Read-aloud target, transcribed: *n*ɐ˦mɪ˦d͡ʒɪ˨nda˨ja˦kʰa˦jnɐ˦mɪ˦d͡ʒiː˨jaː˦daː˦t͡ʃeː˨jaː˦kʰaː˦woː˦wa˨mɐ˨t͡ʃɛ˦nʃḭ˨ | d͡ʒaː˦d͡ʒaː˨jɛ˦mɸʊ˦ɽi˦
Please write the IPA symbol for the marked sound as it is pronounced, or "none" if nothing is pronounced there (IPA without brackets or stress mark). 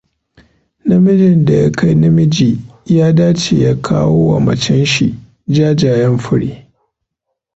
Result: n